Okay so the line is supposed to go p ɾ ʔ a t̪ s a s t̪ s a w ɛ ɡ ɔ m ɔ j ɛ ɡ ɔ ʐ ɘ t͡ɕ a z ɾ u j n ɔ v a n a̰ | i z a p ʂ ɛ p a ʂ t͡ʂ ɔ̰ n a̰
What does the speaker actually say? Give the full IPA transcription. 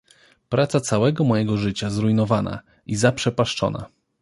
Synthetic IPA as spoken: p ɾ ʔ a t̪ s a t̪ s a w ɛ ɡ ɔ m ɔ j ɛ ɡ ɔ ʐ ɘ t͡ɕ a z ɾ u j n ɔ v a n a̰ | i z a p ʂ ɛ p a ʂ t͡ʂ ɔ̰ n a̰